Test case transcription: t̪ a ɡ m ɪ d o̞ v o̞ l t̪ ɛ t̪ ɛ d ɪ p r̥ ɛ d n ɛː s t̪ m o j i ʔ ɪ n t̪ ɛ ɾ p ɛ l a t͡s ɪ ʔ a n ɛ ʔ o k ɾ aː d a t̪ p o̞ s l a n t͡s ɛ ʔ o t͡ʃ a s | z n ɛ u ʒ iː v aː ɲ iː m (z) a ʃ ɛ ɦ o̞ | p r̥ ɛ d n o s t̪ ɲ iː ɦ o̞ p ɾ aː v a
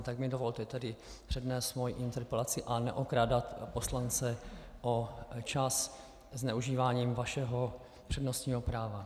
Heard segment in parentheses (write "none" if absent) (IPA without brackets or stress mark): v